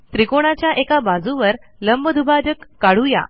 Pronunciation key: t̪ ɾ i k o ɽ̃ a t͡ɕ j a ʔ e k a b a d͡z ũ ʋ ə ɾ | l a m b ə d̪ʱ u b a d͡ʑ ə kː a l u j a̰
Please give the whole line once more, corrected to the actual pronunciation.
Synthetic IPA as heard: t̪ ɾ i k o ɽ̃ a t͡ɕ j a ʔ e k a b a d͡z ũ ʋ ə ɾ | l ə m b ə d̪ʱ u b a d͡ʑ ə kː a ɽ u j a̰